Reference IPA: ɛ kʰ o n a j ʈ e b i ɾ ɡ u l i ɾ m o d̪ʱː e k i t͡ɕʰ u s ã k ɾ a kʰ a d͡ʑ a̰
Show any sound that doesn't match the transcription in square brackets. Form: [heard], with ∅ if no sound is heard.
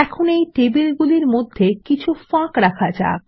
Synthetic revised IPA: ɛ kʰ o n [e] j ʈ e b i [l] ɡ u l i ɾ m o d̪ʱː e k i t͡ɕʰ u [f] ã k ɾ a kʰ a d͡ʑ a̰